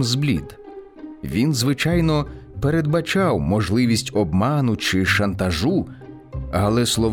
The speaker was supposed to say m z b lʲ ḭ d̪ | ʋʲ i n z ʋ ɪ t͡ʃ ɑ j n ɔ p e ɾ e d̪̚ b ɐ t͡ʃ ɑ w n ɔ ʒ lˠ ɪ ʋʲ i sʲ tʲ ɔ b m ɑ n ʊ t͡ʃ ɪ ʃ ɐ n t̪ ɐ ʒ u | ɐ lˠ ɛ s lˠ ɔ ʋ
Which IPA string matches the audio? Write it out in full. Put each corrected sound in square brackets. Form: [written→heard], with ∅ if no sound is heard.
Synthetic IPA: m z b lʲ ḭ d̪ | ʋʲ i n z ʋ ɪ t͡ʃ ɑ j n ɔ p e ɾ e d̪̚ b ɐ t͡ʃ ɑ w [n→m] ɔ ʒ lˠ ɪ ʋʲ i sʲ tʲ ɔ b m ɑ n ʊ t͡ʃ ɪ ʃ ɐ n t̪ ɐ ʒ u | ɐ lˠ ɛ s lˠ ɔ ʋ